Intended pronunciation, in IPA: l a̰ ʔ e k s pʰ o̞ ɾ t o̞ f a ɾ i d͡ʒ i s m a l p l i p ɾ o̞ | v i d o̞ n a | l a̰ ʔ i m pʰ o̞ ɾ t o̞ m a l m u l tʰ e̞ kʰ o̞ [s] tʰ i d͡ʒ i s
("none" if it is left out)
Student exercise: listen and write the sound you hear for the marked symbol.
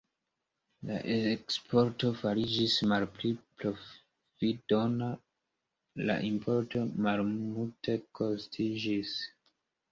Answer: s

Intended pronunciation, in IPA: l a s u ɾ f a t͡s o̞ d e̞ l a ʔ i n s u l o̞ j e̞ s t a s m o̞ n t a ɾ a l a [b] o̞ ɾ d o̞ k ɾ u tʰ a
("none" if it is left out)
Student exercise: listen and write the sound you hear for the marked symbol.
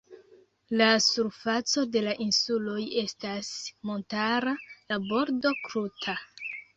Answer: b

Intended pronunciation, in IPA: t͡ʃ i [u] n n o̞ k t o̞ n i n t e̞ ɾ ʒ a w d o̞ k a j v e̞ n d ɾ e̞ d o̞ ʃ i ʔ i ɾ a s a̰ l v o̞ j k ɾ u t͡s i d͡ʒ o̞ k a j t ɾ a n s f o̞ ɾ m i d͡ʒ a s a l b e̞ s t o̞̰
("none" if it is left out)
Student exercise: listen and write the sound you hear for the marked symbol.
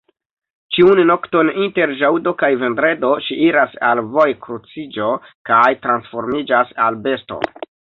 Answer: u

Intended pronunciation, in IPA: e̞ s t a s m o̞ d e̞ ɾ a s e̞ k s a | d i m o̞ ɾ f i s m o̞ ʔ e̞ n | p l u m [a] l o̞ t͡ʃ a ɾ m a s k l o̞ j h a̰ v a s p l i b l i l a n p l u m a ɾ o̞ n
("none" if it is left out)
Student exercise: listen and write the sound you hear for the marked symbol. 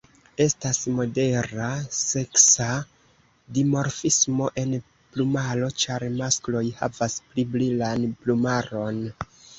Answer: a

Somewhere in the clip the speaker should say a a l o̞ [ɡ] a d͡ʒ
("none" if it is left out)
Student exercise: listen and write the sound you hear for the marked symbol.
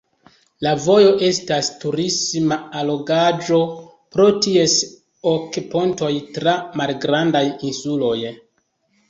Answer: ɡ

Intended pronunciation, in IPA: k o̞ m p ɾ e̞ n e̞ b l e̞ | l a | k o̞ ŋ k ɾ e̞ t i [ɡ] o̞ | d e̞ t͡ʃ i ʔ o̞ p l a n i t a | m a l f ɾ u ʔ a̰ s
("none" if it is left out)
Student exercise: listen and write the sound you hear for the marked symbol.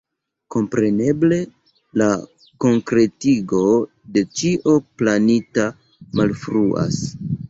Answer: ɡ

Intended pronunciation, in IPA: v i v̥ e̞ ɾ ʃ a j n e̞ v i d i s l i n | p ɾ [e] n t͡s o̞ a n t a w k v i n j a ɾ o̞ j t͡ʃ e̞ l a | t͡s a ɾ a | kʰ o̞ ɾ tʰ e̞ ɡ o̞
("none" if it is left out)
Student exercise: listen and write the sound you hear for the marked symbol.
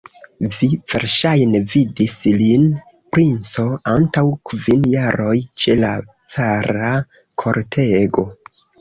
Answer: i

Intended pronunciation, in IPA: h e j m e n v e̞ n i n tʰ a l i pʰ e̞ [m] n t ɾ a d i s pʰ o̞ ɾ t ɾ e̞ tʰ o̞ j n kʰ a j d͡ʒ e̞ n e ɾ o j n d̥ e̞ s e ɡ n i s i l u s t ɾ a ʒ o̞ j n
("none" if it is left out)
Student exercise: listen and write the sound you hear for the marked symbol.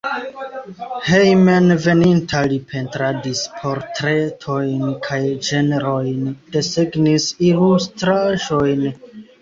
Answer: none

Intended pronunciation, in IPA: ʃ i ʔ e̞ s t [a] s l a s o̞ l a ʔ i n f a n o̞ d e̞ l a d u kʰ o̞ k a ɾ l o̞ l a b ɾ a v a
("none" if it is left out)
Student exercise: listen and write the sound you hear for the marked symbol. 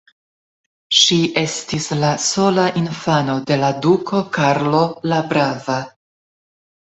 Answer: i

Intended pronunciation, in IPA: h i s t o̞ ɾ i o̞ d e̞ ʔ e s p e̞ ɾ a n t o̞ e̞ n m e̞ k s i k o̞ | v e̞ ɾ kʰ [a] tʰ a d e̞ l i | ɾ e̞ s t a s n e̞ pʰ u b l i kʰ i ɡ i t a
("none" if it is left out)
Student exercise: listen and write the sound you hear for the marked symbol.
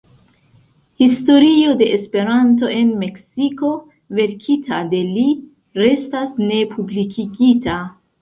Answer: i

